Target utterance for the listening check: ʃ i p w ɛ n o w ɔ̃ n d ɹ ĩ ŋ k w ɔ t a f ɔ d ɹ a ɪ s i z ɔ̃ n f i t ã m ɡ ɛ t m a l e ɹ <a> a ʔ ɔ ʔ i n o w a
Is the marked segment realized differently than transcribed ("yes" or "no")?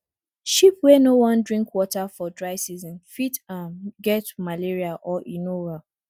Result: yes